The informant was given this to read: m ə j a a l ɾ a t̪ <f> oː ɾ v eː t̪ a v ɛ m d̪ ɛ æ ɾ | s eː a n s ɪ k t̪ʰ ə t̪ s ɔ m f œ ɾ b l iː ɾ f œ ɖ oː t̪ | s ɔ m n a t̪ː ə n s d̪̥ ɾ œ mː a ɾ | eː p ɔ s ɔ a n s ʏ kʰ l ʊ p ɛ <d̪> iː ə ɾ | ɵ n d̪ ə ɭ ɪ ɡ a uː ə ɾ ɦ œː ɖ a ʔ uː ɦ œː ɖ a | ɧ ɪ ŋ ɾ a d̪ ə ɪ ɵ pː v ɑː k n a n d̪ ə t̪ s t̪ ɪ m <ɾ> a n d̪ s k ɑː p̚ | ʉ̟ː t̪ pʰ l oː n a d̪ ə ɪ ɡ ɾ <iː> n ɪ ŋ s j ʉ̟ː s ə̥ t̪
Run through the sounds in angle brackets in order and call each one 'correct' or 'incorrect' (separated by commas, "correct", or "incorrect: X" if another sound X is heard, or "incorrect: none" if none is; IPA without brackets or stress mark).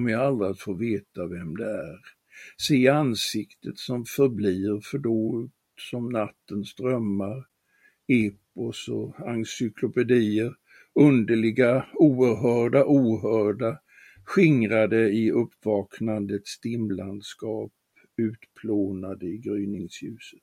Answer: correct, correct, incorrect: l, incorrect: yː